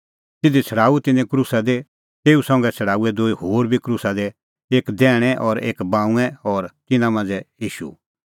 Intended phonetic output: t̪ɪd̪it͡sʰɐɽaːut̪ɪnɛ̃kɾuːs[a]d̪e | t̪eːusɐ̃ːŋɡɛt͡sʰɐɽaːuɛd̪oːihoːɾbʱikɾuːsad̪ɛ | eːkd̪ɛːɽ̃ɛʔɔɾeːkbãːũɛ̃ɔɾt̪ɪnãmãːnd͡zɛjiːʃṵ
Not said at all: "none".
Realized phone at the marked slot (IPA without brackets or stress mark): a